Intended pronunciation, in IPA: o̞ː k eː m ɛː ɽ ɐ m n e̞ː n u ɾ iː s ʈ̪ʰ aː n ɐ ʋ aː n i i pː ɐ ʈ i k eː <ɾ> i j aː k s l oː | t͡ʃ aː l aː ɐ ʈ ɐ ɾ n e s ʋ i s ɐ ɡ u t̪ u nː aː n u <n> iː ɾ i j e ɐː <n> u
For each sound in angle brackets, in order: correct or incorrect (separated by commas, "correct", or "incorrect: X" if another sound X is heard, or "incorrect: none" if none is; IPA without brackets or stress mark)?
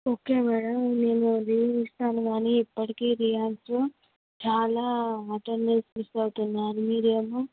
correct, incorrect: m, incorrect: m